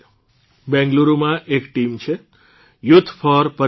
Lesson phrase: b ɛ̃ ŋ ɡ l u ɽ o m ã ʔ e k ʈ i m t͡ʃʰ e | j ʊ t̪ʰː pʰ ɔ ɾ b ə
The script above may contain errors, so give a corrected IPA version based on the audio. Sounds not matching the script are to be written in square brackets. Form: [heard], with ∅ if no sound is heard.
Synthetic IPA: b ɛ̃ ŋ ɡ l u [ɾ] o m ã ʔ e k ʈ i m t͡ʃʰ e | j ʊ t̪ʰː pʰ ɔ ɾ [p] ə